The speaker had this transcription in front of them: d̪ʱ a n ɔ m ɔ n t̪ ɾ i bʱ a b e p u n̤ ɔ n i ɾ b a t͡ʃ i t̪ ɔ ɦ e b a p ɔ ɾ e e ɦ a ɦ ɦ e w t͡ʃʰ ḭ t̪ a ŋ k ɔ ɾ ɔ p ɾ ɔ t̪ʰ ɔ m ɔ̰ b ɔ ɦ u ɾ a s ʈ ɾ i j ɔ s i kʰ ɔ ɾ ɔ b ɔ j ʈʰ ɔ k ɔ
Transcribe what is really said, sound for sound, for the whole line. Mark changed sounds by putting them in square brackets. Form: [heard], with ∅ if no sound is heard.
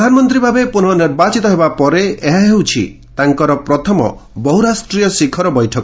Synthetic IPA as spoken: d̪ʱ a n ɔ m ɔ n t̪ ɾ i bʱ a b e p u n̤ ɔ n i ɾ b a t͡ʃ i t̪ ɔ ɦ e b a p ɔ ɾ e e ɦ a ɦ ɦ e w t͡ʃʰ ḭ t̪ a ŋ k ɔ ɾ ɔ p ɾ ɔ t̪ʰ ɔ m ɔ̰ b ɔ ɦ u ɾ a s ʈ ɾ i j ɔ s i kʰ ɔ ɾ ɔ b ɔ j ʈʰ ɔ k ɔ